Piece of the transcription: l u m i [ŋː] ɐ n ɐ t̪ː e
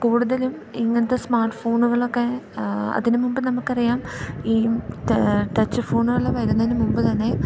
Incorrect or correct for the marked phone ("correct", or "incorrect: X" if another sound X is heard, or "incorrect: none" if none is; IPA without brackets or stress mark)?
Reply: correct